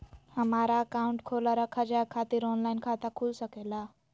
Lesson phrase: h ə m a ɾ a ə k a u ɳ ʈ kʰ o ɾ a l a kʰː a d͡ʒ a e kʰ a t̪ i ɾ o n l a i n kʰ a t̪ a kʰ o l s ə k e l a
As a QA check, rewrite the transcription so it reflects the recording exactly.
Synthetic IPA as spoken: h ə m a ɾ a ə k a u ɳ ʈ kʰ o l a ɾ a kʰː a d͡ʒ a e kʰ a t̪ i ɾ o n l a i n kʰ a t̪ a kʰ u l s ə k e l a